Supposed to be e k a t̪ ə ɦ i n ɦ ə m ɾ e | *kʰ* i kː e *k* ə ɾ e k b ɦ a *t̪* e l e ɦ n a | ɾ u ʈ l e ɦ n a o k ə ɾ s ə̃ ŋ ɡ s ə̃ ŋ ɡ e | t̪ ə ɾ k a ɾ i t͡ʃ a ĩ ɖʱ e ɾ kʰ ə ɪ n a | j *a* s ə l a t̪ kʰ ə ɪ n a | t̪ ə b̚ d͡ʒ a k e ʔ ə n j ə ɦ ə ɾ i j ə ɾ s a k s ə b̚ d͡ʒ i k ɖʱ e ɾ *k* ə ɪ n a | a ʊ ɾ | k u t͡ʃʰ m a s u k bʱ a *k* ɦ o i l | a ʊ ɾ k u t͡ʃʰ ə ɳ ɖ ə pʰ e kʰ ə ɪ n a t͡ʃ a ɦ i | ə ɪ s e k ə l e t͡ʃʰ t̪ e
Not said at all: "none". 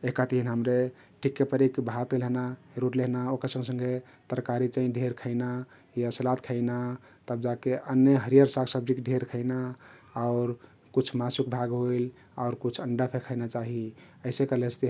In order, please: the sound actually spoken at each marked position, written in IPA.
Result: ʈʰ, p, t̪, a, kʰ, ɡ

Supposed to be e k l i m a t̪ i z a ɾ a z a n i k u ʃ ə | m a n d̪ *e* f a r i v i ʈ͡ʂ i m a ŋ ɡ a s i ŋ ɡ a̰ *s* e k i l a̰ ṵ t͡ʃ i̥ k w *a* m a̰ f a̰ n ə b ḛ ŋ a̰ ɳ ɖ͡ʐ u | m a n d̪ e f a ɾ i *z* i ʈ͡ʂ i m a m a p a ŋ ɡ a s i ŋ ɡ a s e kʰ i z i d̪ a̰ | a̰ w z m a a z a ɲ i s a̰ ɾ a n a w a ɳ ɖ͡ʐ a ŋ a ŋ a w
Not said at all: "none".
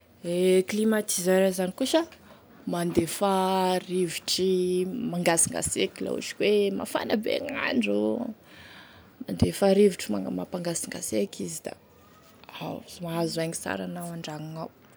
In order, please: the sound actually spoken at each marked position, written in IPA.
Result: e, s, e, v

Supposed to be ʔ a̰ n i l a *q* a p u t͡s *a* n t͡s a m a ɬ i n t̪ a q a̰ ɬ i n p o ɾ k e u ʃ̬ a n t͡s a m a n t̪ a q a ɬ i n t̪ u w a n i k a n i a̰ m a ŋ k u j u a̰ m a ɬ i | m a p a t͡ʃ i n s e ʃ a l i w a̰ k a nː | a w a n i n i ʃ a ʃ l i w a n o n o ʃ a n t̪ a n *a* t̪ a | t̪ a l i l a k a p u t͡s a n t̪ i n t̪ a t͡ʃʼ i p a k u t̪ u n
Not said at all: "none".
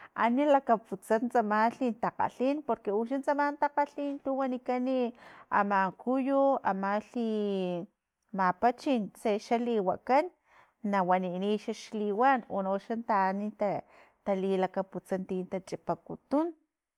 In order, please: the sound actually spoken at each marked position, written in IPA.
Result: k, a, i

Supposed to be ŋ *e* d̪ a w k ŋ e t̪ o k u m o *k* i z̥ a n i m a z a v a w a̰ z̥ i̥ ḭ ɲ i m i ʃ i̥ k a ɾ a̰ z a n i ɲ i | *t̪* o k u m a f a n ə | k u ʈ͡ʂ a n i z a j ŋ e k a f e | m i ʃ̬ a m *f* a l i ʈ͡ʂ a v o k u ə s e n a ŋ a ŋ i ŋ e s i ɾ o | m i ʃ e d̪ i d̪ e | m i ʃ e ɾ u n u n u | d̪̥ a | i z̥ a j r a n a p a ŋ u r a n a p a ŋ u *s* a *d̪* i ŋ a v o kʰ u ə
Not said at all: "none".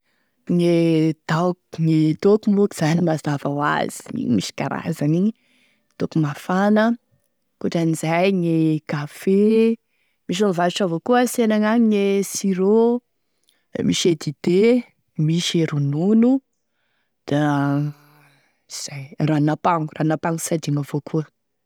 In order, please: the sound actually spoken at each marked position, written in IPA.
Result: e, k, t̪, v, s, d̪

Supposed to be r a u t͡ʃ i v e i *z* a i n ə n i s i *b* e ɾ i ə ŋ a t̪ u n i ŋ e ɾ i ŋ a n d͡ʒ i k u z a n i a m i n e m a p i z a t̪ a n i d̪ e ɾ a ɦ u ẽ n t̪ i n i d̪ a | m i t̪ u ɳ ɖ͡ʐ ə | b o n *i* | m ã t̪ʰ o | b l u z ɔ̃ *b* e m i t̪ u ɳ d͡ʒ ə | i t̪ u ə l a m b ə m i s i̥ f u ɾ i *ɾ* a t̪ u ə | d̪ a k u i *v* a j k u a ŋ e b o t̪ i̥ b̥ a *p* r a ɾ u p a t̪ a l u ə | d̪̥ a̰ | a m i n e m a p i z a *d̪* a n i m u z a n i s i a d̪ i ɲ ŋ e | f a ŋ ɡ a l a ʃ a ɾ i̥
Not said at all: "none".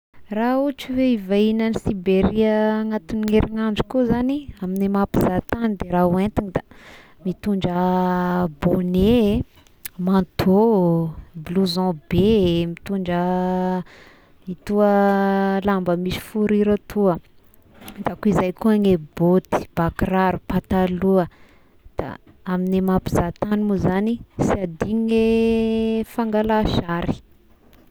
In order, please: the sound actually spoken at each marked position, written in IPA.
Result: v, b, e, b, ɾ, z, k, t̪

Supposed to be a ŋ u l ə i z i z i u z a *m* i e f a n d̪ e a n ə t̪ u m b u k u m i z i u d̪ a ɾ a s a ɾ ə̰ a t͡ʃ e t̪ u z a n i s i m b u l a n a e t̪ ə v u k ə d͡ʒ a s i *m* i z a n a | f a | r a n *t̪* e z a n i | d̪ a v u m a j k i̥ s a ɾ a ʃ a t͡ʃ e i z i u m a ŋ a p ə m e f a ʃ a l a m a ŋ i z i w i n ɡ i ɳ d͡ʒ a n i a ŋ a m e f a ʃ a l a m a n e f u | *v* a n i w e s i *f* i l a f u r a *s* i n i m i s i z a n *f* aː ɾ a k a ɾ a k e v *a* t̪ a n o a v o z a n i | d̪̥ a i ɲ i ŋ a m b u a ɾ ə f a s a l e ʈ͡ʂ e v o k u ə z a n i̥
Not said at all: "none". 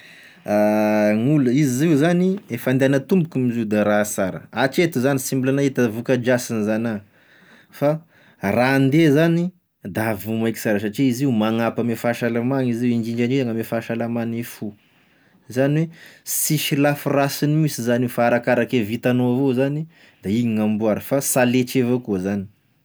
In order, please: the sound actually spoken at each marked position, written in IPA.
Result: n, n, d̪, z, ʃ, s, f, i

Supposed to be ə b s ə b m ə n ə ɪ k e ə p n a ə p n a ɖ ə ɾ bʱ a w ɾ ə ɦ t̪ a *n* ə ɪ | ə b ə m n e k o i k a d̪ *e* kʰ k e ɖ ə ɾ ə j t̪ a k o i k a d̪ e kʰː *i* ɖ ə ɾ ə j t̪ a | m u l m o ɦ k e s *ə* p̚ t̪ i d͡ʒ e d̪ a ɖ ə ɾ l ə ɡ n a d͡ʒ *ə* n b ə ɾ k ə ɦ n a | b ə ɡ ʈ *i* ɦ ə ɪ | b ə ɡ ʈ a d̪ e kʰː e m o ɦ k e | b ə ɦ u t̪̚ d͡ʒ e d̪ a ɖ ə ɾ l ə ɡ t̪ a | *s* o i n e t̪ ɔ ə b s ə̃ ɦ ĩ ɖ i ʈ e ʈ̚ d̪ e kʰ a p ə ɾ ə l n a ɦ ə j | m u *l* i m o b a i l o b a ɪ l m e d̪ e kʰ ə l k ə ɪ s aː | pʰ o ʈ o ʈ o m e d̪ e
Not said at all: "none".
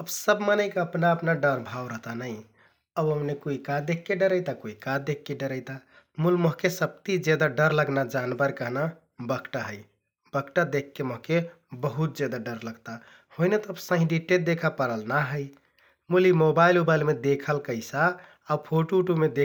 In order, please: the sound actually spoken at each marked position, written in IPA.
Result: n, e, e, ə, a, a, h, l

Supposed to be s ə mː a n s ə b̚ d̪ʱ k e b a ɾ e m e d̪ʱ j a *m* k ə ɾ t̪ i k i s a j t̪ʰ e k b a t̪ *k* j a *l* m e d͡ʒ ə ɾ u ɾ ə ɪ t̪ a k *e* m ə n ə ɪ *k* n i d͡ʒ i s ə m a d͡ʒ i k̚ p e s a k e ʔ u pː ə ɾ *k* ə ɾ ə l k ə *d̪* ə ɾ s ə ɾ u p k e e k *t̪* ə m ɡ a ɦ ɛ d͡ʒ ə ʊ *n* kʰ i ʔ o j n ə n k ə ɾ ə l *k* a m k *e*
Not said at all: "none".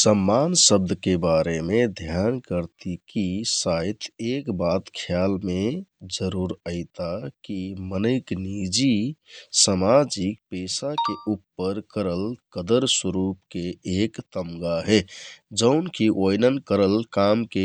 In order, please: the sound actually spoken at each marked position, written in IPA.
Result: n, kʰ, l, i, k, k, d̪, t̪, n, k, e

